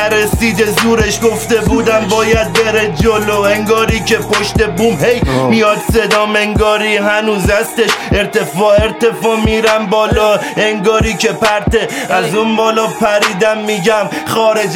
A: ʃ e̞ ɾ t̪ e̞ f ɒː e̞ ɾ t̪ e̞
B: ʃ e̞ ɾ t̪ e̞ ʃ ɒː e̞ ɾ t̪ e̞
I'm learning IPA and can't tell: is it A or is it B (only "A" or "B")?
A